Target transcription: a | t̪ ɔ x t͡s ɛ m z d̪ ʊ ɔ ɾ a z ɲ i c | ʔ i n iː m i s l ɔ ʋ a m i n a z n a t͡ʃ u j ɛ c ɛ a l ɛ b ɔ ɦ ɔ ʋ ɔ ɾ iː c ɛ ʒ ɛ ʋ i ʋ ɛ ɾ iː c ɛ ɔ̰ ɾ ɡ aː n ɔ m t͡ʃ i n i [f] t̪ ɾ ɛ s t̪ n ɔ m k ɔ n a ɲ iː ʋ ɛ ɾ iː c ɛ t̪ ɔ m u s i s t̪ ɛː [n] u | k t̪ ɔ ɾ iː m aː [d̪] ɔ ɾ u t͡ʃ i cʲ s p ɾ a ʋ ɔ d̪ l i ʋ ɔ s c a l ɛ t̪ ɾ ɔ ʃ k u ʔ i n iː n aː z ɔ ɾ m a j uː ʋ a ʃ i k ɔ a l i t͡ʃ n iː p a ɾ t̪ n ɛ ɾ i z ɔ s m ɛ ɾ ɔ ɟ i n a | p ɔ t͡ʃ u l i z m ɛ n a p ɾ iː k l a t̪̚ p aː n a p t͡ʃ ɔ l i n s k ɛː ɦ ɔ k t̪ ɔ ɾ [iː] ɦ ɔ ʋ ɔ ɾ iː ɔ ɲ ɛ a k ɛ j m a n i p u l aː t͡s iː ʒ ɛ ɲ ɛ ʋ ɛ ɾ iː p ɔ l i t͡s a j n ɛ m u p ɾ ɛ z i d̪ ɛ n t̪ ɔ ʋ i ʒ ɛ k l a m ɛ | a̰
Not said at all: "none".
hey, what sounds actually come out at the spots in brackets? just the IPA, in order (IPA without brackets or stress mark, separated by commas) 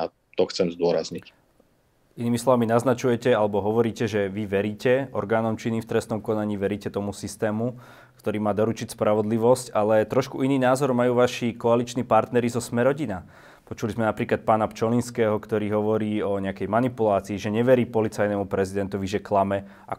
f, m, d̪, iː